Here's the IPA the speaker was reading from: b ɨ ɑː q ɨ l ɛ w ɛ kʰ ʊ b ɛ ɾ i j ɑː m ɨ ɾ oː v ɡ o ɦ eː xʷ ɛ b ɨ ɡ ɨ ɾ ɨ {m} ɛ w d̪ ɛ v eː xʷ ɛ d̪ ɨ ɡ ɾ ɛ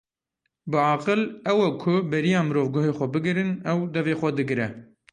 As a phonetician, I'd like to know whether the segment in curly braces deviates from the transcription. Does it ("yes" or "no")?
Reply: yes